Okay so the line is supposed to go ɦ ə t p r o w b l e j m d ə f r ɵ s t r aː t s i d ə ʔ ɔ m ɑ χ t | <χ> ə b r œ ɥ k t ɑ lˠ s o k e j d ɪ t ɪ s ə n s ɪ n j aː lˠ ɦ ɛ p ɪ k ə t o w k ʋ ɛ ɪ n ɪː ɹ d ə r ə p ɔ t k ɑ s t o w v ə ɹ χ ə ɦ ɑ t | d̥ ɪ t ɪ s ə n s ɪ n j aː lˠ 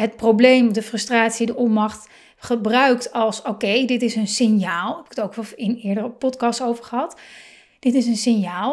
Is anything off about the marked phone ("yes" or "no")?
no